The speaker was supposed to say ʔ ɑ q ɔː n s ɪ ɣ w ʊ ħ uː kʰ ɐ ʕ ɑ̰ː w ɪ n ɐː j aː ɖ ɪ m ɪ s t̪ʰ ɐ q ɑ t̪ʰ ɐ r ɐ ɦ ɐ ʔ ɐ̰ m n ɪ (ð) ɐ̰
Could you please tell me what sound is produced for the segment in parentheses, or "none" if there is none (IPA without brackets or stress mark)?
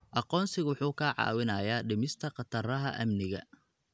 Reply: ɣ